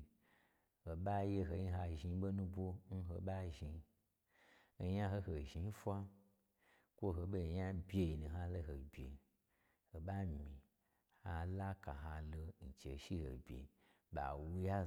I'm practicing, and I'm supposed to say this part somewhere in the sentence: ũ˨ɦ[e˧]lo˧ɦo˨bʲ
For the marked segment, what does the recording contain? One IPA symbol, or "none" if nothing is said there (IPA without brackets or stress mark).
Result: a˧